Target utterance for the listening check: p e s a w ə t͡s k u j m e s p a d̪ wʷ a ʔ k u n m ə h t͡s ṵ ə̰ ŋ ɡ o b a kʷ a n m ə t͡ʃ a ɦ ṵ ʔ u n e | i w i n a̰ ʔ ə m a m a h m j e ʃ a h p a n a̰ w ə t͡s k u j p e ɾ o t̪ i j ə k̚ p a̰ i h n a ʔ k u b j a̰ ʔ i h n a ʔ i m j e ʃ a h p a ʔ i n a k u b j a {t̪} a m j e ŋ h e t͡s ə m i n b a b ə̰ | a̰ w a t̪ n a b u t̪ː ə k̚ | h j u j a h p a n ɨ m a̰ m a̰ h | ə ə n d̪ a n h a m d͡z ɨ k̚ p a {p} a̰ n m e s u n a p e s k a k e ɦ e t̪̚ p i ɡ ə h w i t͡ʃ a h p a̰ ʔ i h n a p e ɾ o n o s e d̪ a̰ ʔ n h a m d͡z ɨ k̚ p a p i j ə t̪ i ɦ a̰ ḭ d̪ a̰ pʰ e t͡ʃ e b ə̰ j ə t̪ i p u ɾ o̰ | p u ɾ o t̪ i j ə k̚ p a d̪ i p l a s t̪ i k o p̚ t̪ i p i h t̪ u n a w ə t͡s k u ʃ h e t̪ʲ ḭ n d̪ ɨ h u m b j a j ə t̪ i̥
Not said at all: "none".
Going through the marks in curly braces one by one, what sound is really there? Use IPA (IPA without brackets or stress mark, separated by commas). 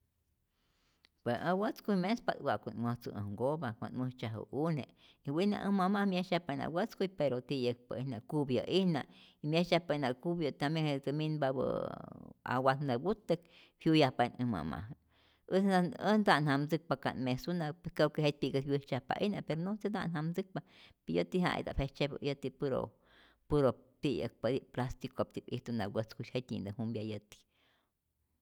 t̪, k